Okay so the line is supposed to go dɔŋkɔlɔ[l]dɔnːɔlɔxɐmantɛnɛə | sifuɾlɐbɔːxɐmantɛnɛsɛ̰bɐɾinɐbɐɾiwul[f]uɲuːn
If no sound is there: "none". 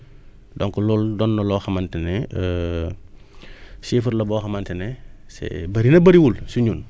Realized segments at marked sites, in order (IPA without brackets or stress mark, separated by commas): l, s